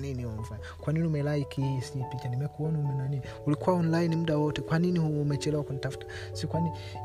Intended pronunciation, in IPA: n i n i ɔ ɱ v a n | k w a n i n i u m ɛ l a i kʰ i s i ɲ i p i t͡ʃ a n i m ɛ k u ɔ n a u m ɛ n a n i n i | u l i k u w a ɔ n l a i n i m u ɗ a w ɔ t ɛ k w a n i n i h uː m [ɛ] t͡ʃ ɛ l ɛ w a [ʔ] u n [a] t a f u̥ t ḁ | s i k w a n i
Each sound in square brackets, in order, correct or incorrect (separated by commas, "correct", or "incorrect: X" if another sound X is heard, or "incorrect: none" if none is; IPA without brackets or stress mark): correct, incorrect: k, incorrect: i